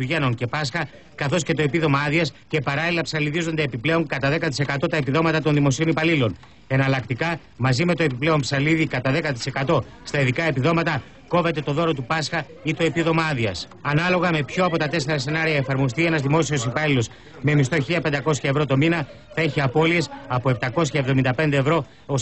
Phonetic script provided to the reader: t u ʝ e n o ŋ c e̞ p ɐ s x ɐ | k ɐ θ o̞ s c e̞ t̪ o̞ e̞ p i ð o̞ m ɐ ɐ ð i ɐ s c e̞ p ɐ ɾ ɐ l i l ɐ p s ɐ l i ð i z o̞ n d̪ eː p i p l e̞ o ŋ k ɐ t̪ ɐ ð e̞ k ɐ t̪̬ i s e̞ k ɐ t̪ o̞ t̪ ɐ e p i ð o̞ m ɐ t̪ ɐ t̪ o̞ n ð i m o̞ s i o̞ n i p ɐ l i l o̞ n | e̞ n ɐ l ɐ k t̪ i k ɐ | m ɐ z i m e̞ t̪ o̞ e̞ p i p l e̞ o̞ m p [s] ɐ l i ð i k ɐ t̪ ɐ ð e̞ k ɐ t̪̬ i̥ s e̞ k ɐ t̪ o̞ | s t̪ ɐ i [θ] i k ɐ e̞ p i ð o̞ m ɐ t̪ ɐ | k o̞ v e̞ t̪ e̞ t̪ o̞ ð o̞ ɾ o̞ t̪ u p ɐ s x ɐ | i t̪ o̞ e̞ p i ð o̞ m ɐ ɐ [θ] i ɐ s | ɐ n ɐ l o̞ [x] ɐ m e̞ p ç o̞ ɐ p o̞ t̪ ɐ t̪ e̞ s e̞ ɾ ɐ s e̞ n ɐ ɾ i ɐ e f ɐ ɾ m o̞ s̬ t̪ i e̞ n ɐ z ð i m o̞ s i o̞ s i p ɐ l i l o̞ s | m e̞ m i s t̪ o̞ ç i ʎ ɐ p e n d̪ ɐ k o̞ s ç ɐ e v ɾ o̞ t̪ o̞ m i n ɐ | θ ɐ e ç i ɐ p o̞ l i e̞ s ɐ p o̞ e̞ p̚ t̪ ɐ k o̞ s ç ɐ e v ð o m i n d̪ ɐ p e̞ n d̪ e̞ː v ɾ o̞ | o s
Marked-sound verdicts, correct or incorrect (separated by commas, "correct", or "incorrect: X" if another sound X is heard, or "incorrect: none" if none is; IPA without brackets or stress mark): correct, incorrect: ð, incorrect: ð, incorrect: ɣ